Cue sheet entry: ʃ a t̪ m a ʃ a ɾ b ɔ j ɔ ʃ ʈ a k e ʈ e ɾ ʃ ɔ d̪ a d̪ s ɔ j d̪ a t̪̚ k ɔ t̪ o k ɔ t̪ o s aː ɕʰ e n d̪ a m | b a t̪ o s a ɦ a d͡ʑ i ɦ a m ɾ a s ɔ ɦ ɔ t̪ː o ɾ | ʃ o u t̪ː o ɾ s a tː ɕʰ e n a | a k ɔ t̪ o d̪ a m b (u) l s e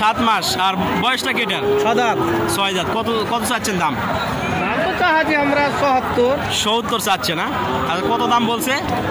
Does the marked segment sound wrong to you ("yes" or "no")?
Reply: yes